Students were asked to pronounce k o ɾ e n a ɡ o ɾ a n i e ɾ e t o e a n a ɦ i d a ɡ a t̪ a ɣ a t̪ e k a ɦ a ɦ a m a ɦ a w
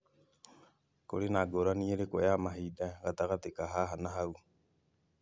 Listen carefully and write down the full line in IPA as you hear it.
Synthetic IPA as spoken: k o ɾ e n a ɡ o ɾ a n i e ɾ e k o e a m a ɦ i d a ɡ a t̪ a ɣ a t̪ e k a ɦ a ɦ a n a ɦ a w

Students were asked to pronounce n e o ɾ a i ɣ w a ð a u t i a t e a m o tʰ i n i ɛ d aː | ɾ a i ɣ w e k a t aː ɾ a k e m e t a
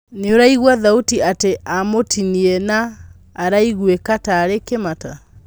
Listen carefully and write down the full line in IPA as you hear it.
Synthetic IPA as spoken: n e o ɾ a i ɣ w a ð a u t i a t e a m o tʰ i n i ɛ n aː | ɾ a i ɣ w e k a t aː ɾ e k e m a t a

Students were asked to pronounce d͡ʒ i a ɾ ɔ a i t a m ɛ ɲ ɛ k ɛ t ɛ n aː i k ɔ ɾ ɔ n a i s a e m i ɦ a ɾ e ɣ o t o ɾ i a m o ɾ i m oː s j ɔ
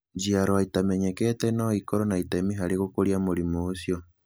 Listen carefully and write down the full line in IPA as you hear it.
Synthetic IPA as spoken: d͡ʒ i a ɾ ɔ a i t a m ɛ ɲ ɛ k ɛ t ɛ n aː i k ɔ ɾ ɔ n a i t a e m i ɦ a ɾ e ɣ o k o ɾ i a m o ɾ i m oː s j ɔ

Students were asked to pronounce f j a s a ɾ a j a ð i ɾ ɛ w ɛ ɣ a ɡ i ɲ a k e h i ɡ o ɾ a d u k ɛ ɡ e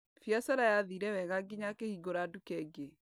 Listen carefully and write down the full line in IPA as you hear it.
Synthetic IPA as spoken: f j a s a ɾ a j a ð i ɾ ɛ w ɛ ɣ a ɡ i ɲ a k e h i ɡ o ɾ a d u k ɛ ɡ e

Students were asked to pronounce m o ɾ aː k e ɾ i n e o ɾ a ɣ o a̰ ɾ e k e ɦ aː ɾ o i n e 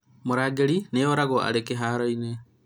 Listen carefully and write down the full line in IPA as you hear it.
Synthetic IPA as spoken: m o ɾ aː ɡ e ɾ i n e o ɾ a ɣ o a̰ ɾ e k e ɦ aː ɾ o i n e

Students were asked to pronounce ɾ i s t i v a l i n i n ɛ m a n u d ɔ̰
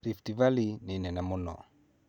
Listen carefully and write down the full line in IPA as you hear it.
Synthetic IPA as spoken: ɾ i f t i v a l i n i n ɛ n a m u n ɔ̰

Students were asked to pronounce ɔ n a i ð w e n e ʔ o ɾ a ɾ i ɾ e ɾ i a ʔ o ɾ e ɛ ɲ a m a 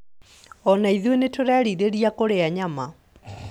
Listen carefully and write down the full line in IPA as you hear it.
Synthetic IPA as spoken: ɔ n a i ð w e n e t o ɾ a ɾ i ɾ e ɾ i a k o ɾ e a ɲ a m a

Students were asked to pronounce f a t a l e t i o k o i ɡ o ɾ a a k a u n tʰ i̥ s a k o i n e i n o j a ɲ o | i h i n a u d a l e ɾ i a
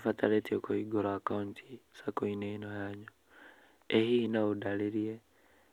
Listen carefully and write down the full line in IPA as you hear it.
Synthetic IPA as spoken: f a t a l e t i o k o i ɡ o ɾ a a k a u n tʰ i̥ s a k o i n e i n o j a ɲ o | e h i n a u d a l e ɾ i e

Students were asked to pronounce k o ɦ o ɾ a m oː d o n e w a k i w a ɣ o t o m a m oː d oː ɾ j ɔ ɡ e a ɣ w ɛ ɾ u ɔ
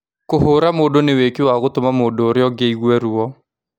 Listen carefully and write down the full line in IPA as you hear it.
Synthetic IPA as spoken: k o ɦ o ɾ a m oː d o n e w e k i w a ɣ o t o m a m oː d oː ɾ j ɔ ɡ e i ɣ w ɛ ɾ u ɔ

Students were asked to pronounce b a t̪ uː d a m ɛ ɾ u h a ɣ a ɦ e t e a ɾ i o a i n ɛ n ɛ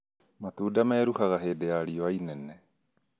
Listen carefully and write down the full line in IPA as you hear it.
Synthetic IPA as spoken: m a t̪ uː d a m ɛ ɾ u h a ɣ a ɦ e d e a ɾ i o a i n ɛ n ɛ

